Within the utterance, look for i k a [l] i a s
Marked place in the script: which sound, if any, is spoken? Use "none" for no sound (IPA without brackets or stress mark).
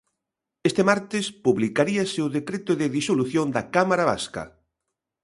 ɾ